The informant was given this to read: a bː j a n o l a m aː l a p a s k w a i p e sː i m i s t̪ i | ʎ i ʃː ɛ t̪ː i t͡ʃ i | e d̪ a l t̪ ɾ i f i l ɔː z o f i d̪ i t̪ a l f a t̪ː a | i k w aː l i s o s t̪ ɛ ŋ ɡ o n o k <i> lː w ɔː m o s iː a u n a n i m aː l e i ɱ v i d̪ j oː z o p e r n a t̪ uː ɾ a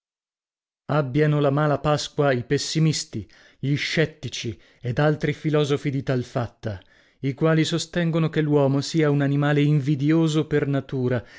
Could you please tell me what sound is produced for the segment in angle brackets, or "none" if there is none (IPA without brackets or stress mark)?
e